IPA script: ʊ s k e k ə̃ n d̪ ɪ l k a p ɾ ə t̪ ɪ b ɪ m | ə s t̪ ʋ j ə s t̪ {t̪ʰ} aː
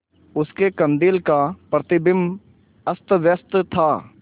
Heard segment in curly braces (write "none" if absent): t̪ʰ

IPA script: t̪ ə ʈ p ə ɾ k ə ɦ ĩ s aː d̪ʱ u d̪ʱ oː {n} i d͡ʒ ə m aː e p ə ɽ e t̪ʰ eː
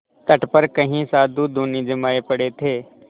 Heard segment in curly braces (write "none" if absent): n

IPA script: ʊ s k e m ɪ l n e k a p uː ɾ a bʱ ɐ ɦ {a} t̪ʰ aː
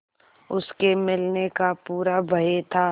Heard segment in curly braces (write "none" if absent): e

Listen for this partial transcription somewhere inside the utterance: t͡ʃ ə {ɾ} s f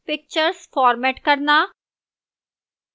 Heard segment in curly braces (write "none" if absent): ɾ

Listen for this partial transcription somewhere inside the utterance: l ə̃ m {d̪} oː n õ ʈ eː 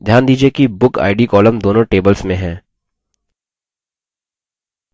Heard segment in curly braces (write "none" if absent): d̪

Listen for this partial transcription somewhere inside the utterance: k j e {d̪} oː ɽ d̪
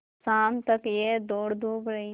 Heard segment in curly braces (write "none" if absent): d̪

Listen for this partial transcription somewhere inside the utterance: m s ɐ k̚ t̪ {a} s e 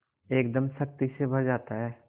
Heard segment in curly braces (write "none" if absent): i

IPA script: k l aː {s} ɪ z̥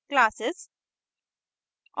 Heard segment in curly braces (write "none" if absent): s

